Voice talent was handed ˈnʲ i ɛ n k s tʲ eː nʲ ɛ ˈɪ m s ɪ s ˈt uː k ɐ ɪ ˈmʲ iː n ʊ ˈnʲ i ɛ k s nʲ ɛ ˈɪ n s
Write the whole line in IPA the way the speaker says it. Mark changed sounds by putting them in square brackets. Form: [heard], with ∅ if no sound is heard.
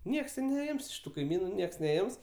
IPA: ˈnʲ i ɛ [∅] k s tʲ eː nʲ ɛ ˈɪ m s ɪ [ʃ] ˈt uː k ɐ ɪ ˈmʲ iː n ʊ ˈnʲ i ɛ k s nʲ ɛ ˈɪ [m] s